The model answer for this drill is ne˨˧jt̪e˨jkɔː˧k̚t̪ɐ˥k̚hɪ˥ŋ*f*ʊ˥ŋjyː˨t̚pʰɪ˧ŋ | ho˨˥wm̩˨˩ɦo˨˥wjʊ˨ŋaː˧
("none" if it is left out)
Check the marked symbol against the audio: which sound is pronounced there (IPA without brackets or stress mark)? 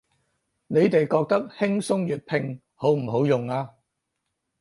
s